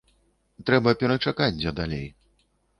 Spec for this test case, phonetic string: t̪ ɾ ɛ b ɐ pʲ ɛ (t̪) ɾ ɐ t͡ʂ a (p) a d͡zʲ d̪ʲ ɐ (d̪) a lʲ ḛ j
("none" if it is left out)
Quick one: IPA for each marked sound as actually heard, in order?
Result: none, k, d̪

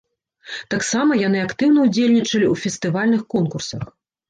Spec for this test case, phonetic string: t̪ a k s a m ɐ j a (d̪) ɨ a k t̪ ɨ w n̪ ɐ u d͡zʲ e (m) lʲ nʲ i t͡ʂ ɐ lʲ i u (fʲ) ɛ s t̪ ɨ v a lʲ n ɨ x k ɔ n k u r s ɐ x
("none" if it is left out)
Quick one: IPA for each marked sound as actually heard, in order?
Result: n̪, none, fʲ

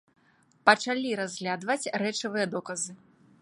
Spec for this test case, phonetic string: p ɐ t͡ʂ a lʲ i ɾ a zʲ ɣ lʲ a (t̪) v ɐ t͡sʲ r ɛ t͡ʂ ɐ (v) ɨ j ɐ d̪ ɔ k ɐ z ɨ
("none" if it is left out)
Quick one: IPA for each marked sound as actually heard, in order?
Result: d̪, v

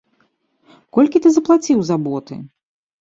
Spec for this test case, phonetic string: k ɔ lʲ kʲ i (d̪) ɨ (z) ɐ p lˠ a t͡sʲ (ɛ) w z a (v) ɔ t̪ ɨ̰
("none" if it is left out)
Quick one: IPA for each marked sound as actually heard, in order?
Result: t̪, z, i, b

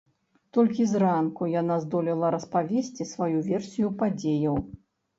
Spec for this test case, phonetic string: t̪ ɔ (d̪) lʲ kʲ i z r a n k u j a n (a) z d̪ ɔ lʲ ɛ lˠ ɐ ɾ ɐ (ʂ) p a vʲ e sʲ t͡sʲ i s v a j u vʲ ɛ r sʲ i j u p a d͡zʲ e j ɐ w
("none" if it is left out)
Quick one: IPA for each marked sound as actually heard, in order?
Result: none, a, s

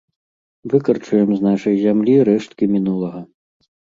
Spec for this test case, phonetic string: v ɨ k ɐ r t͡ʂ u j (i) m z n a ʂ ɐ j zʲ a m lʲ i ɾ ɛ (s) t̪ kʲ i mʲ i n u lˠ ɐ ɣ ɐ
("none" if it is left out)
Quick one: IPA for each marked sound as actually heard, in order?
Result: ɛ, ʂ

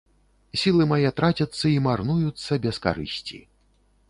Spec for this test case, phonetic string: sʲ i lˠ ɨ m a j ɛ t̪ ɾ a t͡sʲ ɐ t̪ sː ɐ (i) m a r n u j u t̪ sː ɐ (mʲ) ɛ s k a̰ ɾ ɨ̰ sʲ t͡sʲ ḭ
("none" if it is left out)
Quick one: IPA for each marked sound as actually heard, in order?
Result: i, bʲ

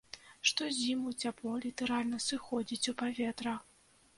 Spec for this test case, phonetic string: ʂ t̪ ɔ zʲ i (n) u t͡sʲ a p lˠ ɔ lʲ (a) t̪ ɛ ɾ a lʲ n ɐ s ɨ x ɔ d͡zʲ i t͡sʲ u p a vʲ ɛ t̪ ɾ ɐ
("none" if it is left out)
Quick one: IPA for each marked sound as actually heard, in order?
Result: m, i

